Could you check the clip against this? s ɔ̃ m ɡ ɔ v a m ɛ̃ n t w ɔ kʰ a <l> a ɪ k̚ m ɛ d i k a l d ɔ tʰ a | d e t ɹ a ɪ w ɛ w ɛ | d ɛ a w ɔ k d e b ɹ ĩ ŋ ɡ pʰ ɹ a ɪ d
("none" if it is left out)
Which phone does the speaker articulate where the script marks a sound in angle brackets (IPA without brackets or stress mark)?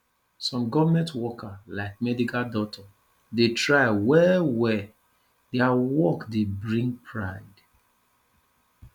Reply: l